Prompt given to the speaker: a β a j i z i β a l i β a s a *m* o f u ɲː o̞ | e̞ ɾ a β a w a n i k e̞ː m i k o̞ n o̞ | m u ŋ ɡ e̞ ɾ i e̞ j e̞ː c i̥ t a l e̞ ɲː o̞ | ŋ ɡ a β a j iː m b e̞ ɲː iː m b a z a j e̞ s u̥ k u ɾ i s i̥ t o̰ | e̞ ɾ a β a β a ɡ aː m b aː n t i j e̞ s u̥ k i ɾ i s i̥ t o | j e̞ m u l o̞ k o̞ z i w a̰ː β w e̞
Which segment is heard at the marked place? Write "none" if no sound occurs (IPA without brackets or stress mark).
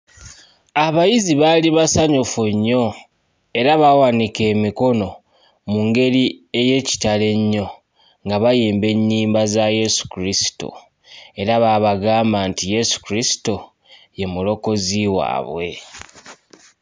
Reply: ɲ